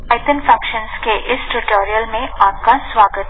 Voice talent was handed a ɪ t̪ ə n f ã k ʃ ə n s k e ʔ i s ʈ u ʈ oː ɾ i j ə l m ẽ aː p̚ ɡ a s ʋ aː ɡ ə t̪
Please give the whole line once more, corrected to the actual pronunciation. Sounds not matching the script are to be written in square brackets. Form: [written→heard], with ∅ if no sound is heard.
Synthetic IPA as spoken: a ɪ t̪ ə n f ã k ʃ ə n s k e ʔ [i→ɪ] s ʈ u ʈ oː ɾ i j ə l m ẽ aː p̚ [ɡ→k] a s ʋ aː ɡ ə t̪